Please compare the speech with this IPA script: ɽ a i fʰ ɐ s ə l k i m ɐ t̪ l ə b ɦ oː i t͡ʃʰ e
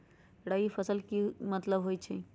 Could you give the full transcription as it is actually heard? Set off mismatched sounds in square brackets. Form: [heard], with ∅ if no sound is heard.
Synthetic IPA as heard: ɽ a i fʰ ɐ s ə l k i m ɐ t̪ l ə b ɦ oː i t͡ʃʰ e